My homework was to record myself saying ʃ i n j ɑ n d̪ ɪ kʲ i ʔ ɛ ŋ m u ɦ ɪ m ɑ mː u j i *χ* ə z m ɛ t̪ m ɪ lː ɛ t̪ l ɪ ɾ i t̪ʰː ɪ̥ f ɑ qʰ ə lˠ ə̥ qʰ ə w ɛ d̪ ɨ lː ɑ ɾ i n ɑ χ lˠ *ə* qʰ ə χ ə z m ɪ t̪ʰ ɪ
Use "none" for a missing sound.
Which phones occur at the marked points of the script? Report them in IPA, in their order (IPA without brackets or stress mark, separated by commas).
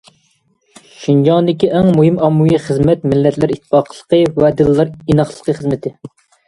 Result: χ, ə